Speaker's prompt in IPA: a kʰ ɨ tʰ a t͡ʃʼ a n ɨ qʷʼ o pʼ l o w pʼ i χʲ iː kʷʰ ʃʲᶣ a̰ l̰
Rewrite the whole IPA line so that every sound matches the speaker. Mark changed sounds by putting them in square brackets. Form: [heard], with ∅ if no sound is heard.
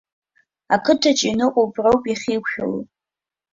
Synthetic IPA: a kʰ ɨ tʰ a t͡ʃʼ [i] n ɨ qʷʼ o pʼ [r] o w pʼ i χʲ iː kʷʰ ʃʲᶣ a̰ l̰